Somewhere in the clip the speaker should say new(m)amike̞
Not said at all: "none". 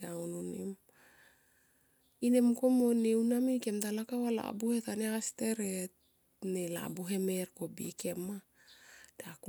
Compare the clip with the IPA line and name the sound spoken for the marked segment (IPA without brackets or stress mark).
n